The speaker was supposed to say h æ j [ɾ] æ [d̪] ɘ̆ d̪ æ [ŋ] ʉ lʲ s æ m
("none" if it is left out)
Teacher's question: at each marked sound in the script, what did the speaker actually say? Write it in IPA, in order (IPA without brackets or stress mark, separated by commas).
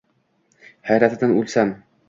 ɾ, t̪, n